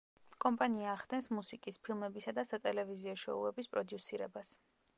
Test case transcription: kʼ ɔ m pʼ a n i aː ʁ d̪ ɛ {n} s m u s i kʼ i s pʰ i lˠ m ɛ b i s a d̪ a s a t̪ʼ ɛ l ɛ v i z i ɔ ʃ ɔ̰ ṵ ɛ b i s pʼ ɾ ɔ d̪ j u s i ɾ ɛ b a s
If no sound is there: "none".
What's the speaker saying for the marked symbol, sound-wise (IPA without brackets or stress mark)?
n